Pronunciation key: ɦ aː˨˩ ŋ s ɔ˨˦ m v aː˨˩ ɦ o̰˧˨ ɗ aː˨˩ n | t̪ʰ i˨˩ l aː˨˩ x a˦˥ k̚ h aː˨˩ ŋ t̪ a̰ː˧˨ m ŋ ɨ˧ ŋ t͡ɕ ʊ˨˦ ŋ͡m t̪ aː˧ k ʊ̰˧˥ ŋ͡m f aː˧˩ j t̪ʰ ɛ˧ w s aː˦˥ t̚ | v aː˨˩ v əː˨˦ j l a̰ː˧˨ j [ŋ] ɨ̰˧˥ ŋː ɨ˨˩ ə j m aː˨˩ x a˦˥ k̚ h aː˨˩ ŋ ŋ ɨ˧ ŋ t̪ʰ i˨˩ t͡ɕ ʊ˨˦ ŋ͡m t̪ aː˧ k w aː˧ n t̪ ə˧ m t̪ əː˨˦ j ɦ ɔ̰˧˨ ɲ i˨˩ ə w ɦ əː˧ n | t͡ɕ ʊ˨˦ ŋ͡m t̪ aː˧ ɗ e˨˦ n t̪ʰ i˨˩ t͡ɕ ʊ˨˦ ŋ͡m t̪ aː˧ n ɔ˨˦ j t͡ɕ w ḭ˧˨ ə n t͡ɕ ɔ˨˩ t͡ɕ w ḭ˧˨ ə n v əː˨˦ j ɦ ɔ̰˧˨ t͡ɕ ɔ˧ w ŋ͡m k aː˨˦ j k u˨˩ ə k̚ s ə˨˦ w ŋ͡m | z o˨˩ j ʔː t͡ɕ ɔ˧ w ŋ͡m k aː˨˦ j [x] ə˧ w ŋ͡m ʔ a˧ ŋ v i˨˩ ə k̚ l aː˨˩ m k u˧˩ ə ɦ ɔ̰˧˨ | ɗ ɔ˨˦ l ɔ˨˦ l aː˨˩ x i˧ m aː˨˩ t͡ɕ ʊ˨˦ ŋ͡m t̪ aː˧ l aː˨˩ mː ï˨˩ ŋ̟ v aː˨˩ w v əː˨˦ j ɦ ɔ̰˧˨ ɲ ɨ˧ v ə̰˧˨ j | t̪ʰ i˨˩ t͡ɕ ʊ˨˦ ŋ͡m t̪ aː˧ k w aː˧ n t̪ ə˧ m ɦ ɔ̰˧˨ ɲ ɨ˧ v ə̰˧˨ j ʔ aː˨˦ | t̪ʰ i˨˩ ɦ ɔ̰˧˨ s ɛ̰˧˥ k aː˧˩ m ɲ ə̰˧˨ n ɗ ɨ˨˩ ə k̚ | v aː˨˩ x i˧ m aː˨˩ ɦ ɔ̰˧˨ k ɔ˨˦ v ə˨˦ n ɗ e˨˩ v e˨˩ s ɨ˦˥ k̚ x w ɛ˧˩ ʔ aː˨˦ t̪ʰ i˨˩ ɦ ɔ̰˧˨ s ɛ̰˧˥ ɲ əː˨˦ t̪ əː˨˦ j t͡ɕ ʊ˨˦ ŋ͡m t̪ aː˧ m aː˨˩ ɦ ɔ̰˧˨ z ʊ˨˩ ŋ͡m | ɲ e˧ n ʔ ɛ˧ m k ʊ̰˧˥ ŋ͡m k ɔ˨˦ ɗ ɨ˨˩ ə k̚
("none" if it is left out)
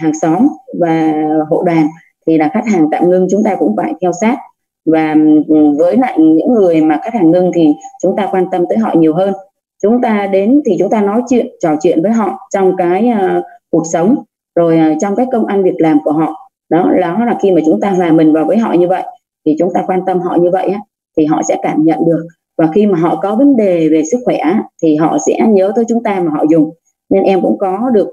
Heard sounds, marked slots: ɲ, k

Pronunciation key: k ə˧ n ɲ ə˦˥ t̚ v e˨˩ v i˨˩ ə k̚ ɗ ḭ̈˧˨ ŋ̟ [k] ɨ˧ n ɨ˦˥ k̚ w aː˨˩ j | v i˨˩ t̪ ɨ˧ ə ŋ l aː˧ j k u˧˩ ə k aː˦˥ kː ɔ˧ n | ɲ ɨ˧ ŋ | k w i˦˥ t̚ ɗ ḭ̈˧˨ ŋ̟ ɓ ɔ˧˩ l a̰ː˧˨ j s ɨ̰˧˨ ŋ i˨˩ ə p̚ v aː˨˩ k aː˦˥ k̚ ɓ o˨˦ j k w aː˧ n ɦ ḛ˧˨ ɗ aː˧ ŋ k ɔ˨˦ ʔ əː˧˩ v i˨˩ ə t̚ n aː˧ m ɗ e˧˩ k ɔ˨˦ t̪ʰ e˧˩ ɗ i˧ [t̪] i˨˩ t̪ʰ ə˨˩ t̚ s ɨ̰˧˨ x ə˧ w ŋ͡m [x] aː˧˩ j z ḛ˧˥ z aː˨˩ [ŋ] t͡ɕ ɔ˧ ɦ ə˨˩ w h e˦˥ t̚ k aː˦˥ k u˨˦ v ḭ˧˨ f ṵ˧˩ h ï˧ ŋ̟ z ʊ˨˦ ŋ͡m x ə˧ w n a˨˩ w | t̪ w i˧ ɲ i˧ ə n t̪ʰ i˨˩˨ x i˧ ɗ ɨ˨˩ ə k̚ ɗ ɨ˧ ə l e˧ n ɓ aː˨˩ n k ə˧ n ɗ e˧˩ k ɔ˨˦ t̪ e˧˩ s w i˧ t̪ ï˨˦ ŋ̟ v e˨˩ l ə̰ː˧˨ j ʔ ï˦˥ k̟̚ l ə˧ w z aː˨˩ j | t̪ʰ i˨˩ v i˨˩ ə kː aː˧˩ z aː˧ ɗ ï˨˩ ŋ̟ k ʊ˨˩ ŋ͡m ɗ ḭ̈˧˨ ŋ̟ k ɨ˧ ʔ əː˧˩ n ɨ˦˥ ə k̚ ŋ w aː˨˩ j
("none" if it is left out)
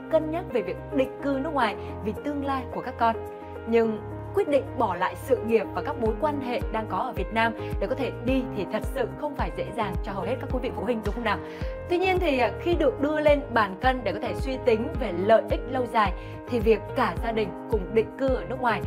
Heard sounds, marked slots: k, t̪ʰ, f, ŋ

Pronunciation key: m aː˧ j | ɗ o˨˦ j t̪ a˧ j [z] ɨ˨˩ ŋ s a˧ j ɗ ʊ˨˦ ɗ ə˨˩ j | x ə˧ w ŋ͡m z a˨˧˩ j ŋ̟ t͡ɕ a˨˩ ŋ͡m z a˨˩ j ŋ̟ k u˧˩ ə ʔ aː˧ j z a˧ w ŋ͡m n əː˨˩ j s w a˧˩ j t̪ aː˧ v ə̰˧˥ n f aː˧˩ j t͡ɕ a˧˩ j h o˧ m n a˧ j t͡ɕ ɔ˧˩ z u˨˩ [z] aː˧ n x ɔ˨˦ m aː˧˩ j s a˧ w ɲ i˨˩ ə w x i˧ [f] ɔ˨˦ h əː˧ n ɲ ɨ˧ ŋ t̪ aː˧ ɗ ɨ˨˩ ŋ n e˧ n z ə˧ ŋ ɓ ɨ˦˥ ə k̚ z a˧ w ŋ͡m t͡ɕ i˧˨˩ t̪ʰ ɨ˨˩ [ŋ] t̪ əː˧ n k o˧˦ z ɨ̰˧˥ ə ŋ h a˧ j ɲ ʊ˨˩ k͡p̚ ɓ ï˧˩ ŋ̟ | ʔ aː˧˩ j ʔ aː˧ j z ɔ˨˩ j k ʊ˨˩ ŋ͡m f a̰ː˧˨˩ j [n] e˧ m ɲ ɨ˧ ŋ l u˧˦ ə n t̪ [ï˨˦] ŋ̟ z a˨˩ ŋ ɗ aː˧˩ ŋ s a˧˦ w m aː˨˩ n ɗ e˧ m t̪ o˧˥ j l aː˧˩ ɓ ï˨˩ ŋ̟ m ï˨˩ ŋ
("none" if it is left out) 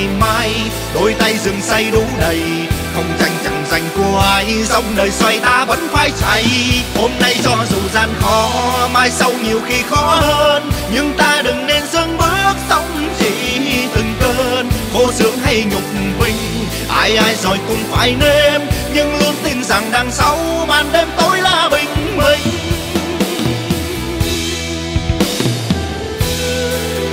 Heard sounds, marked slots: z, z, x, ŋ, n, ï˧˩

